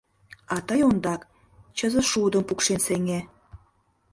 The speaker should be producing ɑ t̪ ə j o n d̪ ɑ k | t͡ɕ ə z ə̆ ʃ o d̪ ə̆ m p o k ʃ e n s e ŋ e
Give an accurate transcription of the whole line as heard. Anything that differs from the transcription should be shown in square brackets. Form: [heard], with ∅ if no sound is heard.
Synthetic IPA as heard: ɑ t̪ ə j o n d̪ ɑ k | t͡ɕ ə z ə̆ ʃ [u] d̪ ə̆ m p [u] k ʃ e n s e ŋ e